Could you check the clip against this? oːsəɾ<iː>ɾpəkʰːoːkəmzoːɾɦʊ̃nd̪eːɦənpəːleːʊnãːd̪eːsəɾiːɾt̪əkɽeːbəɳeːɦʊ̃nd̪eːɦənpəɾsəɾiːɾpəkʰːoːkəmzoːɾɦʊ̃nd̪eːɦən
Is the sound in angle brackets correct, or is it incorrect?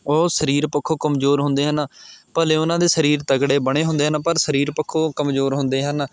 correct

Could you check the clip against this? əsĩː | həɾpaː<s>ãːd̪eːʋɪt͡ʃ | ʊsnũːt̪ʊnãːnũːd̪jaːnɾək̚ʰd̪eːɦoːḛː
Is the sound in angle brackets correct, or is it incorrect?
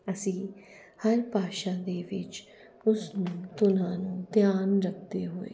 incorrect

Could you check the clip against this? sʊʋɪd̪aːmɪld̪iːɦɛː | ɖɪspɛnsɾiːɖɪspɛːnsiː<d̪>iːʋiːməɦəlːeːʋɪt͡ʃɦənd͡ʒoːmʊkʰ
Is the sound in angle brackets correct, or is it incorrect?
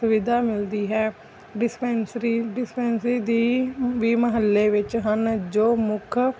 correct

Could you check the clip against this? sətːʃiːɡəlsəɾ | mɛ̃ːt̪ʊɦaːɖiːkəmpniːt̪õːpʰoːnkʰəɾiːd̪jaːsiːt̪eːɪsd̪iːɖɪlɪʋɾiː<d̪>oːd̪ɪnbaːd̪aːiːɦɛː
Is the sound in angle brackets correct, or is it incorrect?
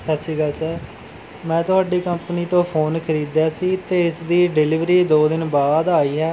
correct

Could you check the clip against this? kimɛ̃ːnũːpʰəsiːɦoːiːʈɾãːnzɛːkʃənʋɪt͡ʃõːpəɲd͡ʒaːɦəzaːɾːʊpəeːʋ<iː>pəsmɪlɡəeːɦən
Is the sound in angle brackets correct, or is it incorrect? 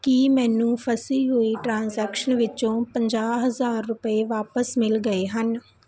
incorrect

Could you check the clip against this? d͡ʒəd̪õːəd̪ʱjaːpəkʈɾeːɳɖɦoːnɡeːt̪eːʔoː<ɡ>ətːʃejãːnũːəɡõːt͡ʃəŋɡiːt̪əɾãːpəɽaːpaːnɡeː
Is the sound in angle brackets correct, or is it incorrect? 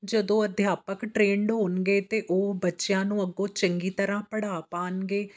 incorrect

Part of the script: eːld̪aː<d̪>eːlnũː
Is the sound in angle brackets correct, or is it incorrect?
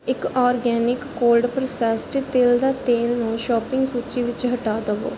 incorrect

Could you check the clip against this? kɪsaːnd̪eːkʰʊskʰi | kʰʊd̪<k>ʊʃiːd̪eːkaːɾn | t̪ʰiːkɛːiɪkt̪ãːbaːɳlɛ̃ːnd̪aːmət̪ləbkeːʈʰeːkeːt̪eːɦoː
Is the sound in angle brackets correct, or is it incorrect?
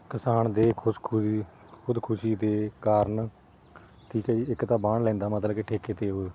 incorrect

